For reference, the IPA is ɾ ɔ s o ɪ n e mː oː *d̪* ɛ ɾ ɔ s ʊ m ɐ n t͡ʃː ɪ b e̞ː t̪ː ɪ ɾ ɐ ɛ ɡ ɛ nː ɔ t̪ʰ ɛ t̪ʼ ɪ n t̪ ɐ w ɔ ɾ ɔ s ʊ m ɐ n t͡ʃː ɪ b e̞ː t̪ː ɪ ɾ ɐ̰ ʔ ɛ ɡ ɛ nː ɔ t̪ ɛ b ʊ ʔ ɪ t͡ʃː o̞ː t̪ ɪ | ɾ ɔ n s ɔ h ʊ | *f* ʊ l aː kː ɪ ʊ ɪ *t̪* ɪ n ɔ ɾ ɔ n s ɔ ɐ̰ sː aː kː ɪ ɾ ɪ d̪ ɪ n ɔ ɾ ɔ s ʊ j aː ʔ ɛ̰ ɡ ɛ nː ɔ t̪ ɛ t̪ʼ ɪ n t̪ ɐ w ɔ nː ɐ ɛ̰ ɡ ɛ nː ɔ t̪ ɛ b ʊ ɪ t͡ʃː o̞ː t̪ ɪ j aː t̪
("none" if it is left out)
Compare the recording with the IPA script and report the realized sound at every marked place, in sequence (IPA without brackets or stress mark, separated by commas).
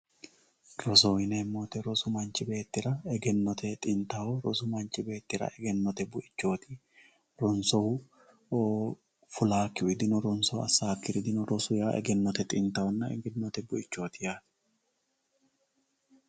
t̪, f, d̪